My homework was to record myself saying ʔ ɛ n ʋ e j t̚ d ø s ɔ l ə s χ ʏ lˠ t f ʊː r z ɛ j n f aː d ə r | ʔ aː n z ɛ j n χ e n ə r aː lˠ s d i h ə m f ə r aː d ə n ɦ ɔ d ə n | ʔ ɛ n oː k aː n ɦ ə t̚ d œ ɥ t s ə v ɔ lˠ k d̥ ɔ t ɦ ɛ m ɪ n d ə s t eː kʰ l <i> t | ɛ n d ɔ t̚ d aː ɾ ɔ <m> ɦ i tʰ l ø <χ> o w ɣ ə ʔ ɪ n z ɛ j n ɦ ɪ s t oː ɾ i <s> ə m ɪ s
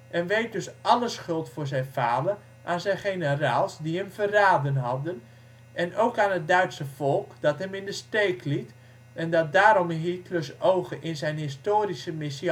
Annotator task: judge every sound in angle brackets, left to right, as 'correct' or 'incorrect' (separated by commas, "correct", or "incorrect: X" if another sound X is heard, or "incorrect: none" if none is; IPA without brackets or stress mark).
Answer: correct, correct, incorrect: s, correct